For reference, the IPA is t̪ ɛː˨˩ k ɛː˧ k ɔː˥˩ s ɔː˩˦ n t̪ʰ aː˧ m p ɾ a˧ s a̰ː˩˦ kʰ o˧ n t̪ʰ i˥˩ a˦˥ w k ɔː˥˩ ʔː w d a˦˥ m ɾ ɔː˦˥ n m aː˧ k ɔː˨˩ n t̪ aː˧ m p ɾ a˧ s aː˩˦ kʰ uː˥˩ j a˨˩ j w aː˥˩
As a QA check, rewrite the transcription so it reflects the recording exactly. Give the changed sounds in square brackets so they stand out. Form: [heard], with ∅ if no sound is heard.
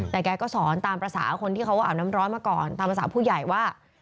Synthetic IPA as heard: t̪ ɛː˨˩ k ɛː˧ k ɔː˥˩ s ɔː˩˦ n [t̪] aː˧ m p ɾ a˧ s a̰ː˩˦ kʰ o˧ n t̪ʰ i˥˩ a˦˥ w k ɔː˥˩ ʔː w [n] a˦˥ m ɾ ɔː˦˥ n m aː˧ k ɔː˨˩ n t̪ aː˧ m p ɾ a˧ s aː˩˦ [pʰ] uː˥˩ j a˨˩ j w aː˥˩